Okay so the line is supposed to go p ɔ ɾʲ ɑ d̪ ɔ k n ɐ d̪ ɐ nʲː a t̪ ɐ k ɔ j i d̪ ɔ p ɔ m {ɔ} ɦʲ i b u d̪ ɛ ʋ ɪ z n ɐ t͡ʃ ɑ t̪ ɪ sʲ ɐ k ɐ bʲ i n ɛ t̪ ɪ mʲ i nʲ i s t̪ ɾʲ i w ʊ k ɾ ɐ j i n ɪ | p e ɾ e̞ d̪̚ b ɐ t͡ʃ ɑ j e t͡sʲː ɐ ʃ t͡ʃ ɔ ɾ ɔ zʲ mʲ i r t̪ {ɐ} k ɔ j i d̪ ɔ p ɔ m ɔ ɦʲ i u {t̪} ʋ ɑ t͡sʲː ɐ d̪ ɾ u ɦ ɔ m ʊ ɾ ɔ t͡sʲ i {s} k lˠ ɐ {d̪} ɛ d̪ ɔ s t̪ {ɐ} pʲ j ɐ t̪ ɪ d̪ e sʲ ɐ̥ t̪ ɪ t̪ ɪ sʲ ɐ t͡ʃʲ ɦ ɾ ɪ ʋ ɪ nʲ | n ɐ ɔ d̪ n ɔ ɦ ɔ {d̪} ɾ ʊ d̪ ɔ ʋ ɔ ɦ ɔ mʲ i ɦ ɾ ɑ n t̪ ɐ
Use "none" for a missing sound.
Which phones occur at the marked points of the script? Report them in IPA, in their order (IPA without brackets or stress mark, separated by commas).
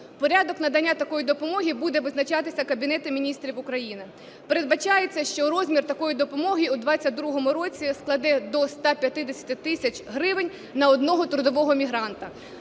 ɔ, ɐ, d̪, s, d̪, ɑ, t̪